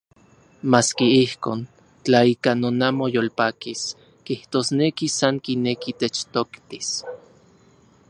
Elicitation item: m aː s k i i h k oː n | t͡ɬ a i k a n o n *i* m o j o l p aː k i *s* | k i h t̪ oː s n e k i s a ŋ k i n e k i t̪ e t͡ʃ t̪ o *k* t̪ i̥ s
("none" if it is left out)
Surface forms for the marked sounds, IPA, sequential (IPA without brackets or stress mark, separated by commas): a, s, k